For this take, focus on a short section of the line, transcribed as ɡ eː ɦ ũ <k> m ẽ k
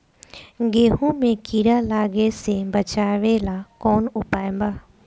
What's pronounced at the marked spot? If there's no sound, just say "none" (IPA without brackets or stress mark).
none